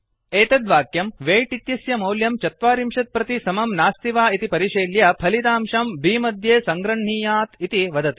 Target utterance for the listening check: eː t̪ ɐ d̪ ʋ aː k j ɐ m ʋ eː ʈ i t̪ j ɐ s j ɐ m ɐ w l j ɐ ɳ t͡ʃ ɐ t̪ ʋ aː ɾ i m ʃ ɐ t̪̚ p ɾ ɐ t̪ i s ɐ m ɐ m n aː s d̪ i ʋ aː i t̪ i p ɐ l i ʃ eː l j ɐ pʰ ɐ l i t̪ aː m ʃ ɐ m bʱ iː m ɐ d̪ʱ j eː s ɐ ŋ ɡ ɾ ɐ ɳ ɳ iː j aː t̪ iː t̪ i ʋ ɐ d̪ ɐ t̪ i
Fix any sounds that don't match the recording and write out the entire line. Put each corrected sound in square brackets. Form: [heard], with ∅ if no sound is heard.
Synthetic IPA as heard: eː t̪ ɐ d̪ ʋ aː k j ɐ m ʋ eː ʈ i t̪ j ɐ s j ɐ m ɐ w l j ɐ [m] t͡ʃ ɐ t̪ ʋ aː ɾ i m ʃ ɐ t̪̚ p ɾ ɐ t̪ i s ɐ m ɐ m n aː s [t̪] i ʋ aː i t̪ i p ɐ [ɾ] i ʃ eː l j ɐ pʰ ɐ l i t̪ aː m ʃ ɐ m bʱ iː m ɐ d̪ʱ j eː s ɐ ŋ ɡ ɾ ɐ ɳ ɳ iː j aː t̪ [i] t̪ i ʋ ɐ d̪ ɐ t̪ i